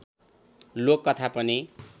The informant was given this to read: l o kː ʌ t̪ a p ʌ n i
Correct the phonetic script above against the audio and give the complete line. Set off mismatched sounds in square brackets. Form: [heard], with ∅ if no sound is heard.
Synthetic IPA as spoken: l o kː ʌ [t̪ʰ] a p ʌ n i